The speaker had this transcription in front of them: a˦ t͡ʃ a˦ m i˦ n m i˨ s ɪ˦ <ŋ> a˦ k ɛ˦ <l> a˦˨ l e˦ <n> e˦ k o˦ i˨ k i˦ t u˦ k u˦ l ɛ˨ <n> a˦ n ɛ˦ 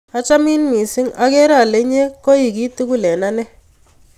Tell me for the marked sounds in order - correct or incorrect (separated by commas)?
correct, incorrect, incorrect, correct